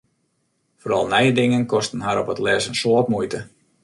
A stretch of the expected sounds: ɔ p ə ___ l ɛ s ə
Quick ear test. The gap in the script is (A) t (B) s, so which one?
A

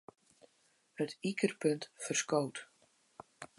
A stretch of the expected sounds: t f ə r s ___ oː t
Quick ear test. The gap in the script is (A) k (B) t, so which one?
A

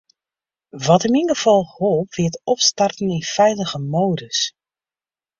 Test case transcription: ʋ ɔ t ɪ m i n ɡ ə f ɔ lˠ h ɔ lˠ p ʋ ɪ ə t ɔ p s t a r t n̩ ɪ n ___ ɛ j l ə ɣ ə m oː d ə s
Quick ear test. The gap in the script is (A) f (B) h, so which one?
A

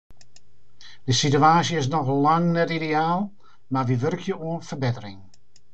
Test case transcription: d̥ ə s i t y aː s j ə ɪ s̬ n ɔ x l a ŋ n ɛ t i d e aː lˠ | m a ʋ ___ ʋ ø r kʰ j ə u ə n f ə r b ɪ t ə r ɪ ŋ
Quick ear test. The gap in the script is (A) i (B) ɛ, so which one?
A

